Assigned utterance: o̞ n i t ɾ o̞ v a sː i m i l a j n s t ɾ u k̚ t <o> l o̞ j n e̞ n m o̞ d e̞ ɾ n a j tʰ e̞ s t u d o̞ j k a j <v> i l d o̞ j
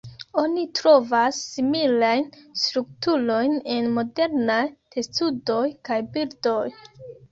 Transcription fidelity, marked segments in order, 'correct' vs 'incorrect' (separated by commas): incorrect, incorrect